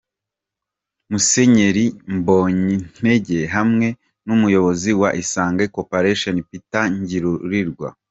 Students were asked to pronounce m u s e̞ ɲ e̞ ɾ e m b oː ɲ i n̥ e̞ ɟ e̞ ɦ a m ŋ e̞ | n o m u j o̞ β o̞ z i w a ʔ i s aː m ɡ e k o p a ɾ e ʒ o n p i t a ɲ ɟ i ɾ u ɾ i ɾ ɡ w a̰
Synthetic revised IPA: m u s e̞ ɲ e̞ ɾ i m b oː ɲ i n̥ e̞ ɟ e̞ ɦ a m ŋ e̞ | n u m u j o̞ β o̞ z i w a ʔ i s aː ŋ ɡ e k o p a ɾ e ʃ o n p i t a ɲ ɟ i ɾ u ɾ i ɾ ɡ w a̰

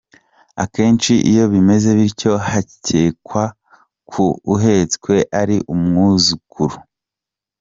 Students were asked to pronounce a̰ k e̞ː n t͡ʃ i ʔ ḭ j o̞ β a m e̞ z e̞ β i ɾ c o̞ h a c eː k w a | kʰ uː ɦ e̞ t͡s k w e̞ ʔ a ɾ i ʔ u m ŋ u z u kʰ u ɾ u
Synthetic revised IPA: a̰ k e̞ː n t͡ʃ i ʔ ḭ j o̞ β i m e̞ z e̞ β i ɾ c o̞ h a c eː k w a | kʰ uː ɦ e̞ t͡s k w e̞ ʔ a ɾ i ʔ u m ŋ u z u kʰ u ɾ u

